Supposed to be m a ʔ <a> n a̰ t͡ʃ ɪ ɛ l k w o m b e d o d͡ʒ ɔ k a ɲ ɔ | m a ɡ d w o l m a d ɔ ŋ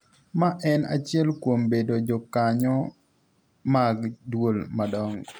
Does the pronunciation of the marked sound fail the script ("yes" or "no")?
yes